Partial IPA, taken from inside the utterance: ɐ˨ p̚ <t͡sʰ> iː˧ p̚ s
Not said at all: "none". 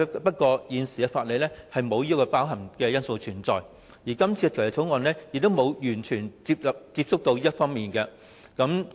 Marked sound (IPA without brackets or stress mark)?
t͡s